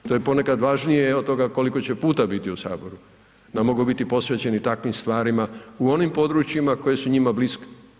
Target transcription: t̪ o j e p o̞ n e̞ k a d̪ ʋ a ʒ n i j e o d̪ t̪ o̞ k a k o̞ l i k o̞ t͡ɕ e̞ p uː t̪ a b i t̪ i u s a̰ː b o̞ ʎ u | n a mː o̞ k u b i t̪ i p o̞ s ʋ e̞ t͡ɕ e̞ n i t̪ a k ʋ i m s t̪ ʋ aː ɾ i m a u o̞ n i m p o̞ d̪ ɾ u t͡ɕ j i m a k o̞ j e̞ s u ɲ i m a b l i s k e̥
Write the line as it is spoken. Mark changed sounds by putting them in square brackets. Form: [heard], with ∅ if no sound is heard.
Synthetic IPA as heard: t̪ o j e p o̞ n e̞ k a d̪ ʋ a ʒ n i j e o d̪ t̪ o̞ [ɡ] a k o̞ l i k o̞ t͡ɕ e̞ p uː t̪ a b i t̪ i u s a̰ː b o̞ [ɾ] u | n a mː o̞ [ɡ] u b i t̪ i p o̞ s ʋ e̞ t͡ɕ e̞ n i t̪ a k ʋ i m s t̪ ʋ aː ɾ i m a u o̞ n i m p o̞ d̪ ɾ u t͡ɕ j i m a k o̞ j e̞ s u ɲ i m a b l i s k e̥